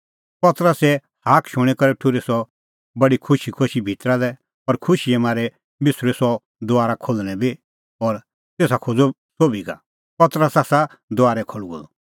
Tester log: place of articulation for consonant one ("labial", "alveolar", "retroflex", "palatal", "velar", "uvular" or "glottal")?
labial